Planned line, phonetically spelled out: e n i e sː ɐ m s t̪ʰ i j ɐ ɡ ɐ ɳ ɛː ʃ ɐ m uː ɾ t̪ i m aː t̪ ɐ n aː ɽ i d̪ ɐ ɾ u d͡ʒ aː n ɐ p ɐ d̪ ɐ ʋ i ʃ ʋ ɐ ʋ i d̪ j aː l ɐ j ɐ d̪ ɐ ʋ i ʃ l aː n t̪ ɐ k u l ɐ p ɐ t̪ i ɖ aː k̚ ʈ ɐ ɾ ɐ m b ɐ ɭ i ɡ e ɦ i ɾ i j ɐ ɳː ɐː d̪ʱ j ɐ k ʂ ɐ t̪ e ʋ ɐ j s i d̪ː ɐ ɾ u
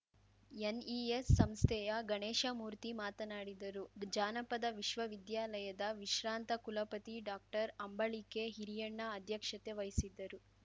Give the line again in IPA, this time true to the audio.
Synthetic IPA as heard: e n i e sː ɐ m s t̪ʰ ɛ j ɐ ɡ ɐ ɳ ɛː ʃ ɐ m uː ɾ t̪ i m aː t̪ ɐ n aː ɽ i d̪ ɐ ɾ u d͡ʒ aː n ɐ p ɐ d̪ ɐ ʋ i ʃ ʋ ɐ ʋ i d̪ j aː l ɐ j ɐ d̪ ɐ ʋ i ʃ ɾ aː n t̪ ɐ k u l ɐ p ɐ t̪ i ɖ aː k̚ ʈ ɐ ɾ ɐ m b ɐ ɭ i k e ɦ i ɾ i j ɐ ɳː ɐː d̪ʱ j ɐ k ʂ ɐ t̪ e ʋ ɐ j s i d̪ː ɐ ɾ u